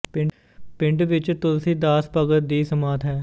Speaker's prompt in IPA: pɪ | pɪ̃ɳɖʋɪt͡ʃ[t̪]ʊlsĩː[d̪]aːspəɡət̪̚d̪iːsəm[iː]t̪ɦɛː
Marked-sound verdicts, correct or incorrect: correct, correct, incorrect: aː

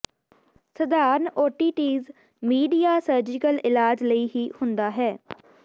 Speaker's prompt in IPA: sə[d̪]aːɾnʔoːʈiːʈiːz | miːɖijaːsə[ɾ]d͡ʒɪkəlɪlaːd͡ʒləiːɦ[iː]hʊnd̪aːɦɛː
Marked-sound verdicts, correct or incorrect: correct, correct, correct

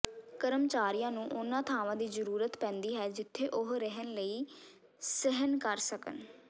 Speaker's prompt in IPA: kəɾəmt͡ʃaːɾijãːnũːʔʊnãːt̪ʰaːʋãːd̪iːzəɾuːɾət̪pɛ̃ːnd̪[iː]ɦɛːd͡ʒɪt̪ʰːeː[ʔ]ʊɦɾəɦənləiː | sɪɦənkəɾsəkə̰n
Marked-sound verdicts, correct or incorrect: correct, correct

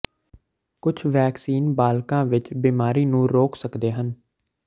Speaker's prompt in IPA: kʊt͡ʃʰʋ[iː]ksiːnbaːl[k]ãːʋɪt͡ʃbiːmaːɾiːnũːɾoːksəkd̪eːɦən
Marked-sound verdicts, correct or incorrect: incorrect: ɛː, correct

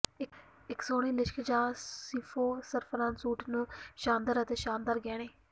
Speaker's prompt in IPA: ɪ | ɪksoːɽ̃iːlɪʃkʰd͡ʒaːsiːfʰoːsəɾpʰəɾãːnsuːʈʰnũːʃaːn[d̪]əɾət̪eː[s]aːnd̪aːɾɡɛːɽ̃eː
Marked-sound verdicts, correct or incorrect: correct, incorrect: ʃ

